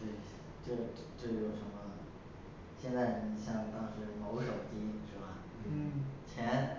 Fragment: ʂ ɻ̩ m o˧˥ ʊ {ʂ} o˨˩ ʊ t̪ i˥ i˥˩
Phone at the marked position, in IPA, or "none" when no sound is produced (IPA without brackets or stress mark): ʂ